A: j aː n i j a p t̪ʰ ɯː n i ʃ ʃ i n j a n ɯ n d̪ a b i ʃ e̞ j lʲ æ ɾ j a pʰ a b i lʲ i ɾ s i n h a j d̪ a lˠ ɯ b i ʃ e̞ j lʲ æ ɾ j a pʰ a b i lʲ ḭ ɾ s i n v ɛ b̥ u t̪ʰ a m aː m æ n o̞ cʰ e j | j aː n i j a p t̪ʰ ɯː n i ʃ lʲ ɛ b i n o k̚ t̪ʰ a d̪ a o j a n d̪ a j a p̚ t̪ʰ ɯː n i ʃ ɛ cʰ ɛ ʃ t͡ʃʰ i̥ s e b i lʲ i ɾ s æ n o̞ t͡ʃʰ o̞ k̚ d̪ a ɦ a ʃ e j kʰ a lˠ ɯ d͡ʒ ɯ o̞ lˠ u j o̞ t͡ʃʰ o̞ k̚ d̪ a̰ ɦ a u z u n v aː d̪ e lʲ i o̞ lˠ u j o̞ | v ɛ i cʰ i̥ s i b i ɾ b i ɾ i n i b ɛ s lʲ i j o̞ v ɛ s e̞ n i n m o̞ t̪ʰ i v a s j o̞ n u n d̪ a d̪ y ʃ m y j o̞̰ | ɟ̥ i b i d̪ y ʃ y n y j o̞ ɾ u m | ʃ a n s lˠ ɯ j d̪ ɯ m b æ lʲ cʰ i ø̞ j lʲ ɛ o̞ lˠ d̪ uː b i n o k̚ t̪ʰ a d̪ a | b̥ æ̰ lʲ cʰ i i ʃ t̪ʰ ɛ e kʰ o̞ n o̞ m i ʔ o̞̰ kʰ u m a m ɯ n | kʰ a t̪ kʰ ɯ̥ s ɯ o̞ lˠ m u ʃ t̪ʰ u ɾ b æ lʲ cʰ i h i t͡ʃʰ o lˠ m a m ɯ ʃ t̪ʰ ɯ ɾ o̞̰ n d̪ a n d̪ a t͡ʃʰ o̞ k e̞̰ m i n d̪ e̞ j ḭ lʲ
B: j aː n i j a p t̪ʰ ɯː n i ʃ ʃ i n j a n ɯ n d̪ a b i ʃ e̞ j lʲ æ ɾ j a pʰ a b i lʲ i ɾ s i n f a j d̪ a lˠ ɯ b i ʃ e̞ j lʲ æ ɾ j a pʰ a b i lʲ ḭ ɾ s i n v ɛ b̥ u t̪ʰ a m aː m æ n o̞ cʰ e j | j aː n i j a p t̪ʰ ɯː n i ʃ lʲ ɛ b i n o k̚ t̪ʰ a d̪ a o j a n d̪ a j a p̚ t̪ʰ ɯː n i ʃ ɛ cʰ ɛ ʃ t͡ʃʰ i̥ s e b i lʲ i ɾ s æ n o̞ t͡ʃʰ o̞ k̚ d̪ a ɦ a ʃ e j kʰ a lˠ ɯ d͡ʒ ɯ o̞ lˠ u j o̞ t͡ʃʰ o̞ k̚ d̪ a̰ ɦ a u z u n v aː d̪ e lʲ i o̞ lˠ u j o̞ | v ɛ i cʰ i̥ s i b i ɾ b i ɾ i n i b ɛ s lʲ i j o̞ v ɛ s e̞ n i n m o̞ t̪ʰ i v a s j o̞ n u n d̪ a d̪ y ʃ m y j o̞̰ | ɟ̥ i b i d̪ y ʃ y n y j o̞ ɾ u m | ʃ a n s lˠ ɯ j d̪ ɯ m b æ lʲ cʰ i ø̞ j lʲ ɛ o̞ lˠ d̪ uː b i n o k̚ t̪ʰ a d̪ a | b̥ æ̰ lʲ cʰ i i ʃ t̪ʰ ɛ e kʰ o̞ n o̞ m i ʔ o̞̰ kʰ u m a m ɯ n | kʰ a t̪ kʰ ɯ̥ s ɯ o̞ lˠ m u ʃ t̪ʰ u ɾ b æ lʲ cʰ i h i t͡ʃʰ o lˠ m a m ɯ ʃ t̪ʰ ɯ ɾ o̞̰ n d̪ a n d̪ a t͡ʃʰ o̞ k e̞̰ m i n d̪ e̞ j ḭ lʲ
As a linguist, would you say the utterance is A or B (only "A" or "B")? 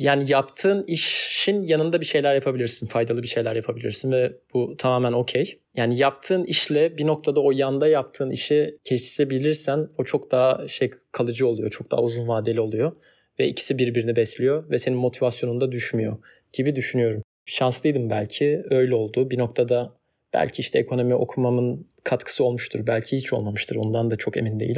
B